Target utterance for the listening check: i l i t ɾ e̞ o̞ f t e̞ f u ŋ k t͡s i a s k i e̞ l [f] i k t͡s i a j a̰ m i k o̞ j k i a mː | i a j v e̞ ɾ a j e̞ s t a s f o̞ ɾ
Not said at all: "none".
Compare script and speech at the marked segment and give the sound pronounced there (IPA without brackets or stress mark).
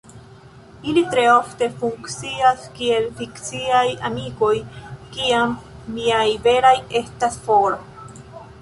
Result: f